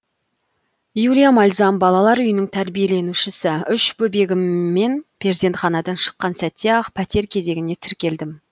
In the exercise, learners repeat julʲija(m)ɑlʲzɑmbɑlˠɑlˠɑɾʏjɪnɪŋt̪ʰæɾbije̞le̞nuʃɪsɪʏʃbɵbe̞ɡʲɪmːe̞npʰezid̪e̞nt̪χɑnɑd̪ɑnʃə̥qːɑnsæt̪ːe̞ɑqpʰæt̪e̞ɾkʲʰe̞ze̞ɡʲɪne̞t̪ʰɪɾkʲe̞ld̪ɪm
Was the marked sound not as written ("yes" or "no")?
no